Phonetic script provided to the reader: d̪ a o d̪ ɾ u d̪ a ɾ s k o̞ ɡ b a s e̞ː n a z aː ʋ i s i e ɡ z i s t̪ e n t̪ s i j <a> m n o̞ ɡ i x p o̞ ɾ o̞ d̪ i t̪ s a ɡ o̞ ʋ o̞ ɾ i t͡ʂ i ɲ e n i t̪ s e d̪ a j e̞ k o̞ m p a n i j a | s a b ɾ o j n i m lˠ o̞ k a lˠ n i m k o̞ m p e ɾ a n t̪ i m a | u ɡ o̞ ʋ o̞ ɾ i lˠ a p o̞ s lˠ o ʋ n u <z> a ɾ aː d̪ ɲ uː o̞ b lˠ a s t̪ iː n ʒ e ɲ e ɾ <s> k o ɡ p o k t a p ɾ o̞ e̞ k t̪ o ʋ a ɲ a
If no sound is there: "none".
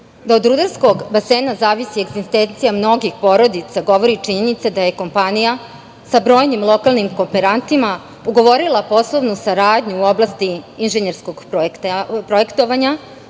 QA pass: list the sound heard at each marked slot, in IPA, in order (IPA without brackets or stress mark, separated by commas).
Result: a, s, s